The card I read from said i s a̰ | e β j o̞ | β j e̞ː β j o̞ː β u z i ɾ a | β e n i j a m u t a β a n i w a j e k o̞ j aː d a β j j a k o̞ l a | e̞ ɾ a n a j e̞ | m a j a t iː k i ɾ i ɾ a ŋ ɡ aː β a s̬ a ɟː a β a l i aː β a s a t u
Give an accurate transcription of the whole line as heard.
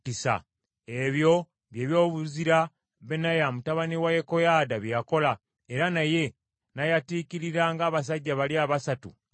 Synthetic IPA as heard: i s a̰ | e β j o̞ | β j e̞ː β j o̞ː β u z i ɾ a | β e n a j a m u t a β a n i w a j e k o̞ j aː d a β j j a k o̞ l a | e̞ ɾ a n a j e̞ | n a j a t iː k i ɾ i ɾ a ŋ ɡ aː β a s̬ a ɟː a β a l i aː β a s a t u